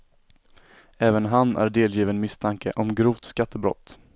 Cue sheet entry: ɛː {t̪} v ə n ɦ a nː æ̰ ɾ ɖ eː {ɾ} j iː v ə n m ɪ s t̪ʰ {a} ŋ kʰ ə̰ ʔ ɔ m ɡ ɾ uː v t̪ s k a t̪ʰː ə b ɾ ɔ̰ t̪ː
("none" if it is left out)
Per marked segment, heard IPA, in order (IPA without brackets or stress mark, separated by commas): none, l, a